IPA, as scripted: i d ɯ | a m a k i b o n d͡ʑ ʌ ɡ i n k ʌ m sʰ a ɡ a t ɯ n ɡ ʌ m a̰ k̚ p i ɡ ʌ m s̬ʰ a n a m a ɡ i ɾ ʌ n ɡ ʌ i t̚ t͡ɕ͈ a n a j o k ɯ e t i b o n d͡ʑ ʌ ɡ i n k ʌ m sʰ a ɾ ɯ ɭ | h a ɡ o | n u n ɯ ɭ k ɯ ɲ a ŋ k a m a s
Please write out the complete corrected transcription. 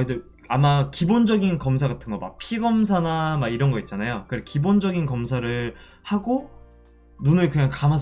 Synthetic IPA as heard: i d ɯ | a m a k i b o n d͡ʑ ʌ ɡ i n k ʌ m sʰ a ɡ a tʰ ɯ n ɡ ʌ m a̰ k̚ pʰ i ɡ ʌ m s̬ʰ a n a m a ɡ i ɾ ʌ n ɡ ʌ i t̚ t͡ɕ͈ a n a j o k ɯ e k i b o n d͡ʑ ʌ ɡ i n k ʌ m sʰ a ɾ ɯ ɭ | h a ɡ o | n u n ɯ ɭ k ɯ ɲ a ŋ k a m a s